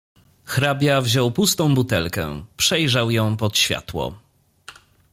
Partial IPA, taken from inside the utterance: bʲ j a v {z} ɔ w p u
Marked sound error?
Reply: yes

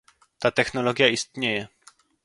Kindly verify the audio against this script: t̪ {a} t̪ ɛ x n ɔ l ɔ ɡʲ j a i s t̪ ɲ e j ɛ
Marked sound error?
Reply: no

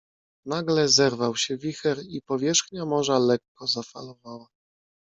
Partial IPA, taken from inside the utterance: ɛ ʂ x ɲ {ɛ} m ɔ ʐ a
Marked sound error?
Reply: yes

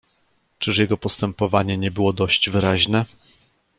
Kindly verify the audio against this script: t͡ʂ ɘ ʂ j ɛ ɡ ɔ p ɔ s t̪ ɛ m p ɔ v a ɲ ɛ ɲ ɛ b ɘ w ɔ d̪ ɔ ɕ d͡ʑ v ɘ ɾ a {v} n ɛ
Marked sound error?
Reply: yes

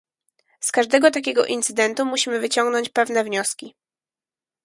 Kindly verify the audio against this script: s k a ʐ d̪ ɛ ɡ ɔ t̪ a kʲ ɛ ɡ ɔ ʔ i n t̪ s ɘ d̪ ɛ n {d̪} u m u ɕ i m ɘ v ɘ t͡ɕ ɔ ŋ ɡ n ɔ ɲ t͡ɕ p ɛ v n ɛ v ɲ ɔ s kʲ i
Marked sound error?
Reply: yes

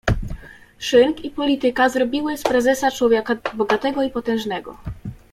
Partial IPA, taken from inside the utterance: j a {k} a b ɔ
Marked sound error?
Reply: no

